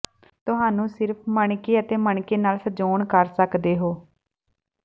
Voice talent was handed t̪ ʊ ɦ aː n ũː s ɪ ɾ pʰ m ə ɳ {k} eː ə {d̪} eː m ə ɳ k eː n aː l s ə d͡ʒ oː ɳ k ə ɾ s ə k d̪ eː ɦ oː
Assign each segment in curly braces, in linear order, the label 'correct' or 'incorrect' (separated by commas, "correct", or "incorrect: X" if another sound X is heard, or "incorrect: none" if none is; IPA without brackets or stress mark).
correct, incorrect: t̪